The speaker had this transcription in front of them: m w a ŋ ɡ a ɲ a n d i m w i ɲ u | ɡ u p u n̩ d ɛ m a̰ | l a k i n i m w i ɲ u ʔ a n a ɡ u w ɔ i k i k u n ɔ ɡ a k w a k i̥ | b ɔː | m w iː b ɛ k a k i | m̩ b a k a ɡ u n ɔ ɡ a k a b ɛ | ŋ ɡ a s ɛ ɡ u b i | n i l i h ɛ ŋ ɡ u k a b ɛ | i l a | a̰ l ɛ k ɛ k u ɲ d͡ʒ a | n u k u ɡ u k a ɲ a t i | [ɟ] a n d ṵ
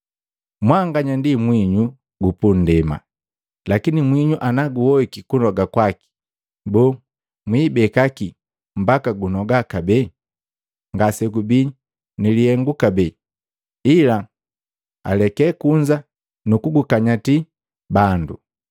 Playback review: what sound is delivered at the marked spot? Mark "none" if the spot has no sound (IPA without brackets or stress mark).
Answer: b